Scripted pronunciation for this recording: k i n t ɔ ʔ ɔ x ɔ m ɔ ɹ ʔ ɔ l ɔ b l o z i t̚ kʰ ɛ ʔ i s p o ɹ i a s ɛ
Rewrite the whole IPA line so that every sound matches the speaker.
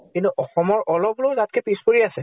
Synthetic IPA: k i n t u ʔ ɔ x ɔ m ɔ ɹ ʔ ɔ l ɔ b l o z a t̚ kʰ ɛ p i s p o ɹ i a s ɛ